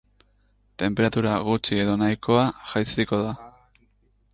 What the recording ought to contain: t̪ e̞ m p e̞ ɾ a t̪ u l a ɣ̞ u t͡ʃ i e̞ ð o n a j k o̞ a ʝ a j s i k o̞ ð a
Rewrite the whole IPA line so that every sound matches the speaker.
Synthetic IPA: t̪ e̞ m p e̞ ɾ a t̪ u ɾ a ɣ̞ u t͡ʃ i e̞ ð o n a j k o̞ a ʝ a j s i k o̞ ð a